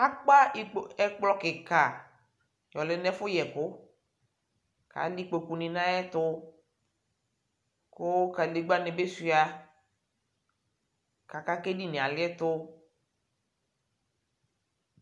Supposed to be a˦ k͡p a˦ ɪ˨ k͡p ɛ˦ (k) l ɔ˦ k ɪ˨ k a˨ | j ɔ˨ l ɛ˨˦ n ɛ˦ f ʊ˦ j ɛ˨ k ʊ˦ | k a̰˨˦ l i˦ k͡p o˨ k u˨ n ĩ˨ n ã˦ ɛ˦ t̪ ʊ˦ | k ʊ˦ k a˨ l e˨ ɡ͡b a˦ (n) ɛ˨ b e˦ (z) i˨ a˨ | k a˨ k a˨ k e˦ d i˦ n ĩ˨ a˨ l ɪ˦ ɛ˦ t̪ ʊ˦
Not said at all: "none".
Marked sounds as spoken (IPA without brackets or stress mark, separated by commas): k͡p, n, s